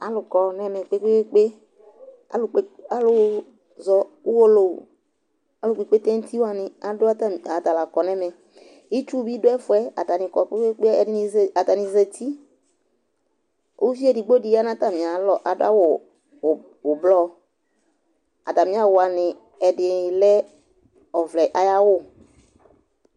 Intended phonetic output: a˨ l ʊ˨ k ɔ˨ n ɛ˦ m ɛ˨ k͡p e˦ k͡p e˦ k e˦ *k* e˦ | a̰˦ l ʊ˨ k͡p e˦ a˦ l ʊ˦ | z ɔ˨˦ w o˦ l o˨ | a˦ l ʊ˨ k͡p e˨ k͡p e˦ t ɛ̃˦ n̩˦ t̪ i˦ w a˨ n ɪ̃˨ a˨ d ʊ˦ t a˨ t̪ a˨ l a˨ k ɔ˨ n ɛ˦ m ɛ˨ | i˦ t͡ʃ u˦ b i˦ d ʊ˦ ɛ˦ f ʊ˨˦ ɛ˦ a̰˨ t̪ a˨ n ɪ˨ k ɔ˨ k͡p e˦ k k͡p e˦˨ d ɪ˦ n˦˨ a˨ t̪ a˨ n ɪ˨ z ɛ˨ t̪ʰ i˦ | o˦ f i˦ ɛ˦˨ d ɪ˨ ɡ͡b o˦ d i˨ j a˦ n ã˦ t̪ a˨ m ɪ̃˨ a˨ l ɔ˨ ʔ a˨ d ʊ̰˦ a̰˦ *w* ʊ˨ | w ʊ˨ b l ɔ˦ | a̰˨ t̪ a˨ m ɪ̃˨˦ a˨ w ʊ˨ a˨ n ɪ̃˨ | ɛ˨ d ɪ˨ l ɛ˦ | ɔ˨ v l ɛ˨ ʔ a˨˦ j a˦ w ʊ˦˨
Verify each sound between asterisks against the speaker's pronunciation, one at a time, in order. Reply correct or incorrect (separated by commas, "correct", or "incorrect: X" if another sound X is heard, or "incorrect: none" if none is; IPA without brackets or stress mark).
incorrect: k͡p, correct